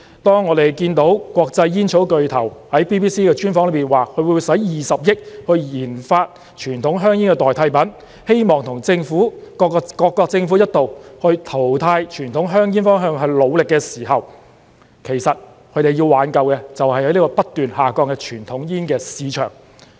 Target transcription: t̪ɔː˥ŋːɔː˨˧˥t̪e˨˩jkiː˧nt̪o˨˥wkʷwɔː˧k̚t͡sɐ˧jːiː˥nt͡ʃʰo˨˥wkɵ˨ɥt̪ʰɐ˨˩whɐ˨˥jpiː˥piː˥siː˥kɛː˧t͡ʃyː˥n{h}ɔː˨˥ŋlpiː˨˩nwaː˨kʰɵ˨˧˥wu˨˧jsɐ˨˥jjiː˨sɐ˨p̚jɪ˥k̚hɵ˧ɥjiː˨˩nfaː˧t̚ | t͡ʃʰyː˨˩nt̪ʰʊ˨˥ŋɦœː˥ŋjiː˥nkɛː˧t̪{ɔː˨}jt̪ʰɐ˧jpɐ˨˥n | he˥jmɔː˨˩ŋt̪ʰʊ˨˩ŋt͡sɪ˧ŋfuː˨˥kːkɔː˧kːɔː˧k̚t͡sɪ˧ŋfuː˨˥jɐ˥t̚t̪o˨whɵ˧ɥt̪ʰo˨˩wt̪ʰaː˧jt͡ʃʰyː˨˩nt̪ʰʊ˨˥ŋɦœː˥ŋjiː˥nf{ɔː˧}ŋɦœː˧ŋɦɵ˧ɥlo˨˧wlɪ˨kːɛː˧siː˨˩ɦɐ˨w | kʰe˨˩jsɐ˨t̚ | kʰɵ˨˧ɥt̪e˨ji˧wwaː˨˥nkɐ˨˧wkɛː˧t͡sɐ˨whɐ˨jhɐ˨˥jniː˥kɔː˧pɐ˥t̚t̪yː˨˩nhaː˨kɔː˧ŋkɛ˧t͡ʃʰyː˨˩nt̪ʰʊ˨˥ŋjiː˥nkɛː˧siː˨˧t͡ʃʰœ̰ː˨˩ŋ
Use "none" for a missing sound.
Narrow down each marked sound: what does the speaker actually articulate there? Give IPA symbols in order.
f, ɔː˨, ɔː˥

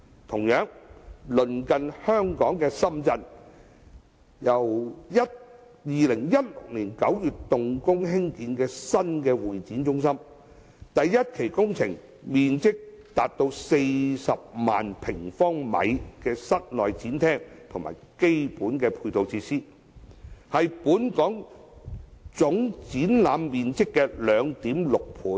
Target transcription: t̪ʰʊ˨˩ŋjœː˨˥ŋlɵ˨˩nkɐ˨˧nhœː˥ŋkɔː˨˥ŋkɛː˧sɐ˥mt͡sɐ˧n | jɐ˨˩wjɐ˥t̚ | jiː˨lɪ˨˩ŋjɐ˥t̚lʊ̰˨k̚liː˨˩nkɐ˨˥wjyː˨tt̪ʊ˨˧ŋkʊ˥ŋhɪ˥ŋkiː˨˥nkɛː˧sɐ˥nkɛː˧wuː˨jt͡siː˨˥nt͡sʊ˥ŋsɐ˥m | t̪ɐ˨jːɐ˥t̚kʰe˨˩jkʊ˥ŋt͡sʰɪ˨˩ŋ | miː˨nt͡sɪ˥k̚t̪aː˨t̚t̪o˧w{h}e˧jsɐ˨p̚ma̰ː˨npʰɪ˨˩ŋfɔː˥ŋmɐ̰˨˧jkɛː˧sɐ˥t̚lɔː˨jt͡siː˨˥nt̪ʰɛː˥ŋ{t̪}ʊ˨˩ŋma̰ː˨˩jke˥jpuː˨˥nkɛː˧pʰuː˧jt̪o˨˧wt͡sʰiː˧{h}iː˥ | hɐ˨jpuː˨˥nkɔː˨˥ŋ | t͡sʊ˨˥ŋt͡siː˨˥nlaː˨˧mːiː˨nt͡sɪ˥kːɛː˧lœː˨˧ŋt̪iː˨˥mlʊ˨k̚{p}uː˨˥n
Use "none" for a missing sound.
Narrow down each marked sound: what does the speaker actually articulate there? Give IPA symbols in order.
s, t̪ʰ, s, pʰ

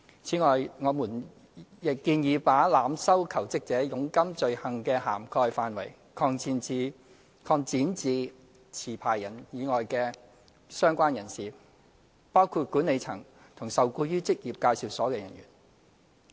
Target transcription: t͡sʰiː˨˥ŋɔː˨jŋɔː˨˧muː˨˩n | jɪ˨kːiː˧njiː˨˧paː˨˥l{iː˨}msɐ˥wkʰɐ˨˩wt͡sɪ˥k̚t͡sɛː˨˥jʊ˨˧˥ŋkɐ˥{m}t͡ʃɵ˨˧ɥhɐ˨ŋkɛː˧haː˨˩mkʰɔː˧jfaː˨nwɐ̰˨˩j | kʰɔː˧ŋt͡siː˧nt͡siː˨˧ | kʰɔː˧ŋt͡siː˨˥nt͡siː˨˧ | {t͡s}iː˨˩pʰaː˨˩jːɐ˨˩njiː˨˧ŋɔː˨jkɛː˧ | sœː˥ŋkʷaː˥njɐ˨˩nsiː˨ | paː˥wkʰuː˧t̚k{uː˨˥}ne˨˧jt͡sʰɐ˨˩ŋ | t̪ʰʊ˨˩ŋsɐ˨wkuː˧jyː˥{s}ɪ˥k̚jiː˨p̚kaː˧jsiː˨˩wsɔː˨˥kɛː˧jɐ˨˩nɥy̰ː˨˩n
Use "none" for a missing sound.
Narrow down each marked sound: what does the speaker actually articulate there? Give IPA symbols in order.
aː˨, m, t͡sʰ, uː˨˥, t͡s

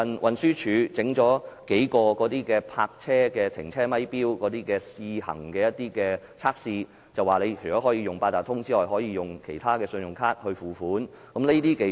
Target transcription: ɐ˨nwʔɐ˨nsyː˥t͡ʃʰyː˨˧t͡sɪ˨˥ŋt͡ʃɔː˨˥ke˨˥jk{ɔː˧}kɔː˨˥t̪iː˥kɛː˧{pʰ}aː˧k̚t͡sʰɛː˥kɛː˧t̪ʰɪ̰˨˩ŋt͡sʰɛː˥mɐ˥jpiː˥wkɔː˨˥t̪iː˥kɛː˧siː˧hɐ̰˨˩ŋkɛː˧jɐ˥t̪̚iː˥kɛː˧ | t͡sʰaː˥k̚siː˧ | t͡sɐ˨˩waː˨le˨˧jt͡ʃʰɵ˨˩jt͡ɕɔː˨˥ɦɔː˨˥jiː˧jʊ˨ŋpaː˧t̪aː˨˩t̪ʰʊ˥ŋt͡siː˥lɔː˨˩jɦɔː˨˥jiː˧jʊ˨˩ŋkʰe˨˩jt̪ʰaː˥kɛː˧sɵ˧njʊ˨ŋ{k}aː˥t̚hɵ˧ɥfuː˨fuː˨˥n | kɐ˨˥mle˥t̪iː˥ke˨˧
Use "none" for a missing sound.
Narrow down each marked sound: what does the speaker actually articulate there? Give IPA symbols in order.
ɔː˧, pʰ, kʰ

